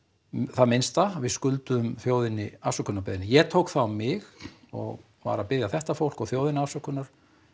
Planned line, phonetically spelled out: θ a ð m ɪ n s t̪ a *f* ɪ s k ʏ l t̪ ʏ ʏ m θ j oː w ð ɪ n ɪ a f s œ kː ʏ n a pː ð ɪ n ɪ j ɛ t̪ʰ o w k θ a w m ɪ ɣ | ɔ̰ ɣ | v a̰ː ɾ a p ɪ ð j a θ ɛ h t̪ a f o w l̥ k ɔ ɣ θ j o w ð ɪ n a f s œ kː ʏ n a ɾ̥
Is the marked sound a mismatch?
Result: yes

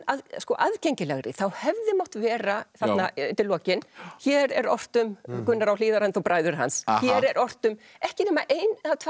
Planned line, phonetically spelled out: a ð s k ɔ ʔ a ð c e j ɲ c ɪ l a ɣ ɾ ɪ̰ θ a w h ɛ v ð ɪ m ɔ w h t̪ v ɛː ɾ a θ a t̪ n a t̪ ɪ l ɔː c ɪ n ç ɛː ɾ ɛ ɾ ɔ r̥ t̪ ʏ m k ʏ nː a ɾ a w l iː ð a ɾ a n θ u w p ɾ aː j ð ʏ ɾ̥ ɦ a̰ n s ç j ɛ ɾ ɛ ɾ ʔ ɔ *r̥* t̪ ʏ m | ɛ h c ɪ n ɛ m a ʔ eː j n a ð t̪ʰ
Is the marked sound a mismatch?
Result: no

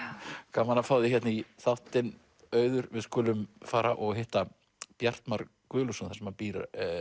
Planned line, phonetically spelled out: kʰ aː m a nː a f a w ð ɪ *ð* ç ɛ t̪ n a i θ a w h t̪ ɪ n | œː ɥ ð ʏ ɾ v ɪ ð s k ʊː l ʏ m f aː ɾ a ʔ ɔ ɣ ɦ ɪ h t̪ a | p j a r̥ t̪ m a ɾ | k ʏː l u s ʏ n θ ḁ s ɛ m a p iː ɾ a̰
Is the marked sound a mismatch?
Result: yes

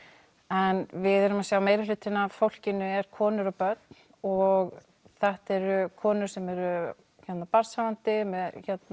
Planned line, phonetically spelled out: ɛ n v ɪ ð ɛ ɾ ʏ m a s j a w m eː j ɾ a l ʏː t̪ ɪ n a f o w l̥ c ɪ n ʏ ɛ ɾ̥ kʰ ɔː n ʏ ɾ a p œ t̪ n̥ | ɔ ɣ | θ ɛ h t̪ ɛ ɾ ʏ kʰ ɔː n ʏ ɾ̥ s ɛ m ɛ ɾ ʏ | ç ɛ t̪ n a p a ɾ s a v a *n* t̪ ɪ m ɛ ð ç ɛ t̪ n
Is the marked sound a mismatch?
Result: no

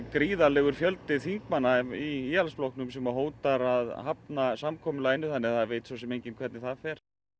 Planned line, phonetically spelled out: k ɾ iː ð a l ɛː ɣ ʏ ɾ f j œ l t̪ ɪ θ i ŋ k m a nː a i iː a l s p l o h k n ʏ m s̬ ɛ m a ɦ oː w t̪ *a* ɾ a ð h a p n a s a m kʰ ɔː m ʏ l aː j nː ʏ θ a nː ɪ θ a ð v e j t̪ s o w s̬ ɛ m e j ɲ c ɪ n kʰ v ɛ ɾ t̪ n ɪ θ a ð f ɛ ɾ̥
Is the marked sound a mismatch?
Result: no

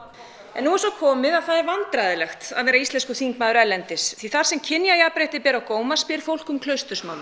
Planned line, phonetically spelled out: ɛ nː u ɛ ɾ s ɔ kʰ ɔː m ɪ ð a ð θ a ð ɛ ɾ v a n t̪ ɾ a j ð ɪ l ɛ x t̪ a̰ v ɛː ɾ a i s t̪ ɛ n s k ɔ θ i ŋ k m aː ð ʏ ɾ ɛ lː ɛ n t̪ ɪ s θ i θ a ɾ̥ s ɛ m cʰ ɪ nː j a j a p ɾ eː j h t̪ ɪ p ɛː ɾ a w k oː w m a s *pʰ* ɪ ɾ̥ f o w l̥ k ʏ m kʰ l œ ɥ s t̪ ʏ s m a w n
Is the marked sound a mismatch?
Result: yes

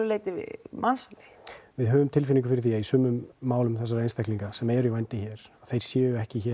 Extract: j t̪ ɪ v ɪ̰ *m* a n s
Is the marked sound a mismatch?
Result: no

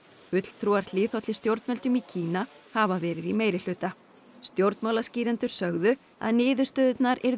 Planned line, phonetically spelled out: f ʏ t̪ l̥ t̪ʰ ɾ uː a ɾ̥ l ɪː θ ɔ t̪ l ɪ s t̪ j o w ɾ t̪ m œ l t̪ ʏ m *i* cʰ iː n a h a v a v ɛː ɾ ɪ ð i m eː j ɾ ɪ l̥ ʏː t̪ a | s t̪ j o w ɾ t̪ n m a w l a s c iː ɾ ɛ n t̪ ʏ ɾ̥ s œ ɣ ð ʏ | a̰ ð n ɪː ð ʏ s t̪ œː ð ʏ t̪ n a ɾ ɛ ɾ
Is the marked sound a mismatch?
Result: no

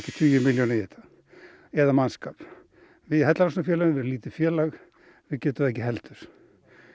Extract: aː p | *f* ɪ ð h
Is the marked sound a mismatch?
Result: yes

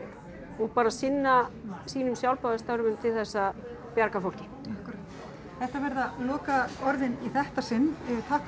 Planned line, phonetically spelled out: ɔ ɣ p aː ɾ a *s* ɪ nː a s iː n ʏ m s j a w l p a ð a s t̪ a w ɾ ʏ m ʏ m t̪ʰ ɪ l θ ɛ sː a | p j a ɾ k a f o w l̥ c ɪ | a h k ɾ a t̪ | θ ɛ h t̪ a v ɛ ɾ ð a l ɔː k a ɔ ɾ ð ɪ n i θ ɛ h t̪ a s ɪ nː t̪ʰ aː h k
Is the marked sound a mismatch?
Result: no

